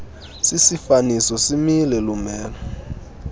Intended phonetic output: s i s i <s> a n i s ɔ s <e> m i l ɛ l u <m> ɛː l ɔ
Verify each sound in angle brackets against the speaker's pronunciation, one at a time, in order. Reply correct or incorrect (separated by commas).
incorrect, incorrect, correct